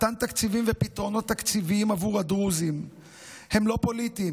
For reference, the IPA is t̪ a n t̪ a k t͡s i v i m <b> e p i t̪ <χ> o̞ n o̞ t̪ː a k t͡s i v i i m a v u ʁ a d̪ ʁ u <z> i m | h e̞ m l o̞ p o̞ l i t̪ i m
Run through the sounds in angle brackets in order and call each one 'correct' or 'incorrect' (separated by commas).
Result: incorrect, incorrect, correct